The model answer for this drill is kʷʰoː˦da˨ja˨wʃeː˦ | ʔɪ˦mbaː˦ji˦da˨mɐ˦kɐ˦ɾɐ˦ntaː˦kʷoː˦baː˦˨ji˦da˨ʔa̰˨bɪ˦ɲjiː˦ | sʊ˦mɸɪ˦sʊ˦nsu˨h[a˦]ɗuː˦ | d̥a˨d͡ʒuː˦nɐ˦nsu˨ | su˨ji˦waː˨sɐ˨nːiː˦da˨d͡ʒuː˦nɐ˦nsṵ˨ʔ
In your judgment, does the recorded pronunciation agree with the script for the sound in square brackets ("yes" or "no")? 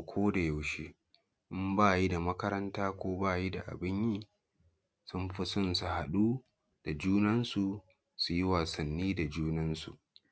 no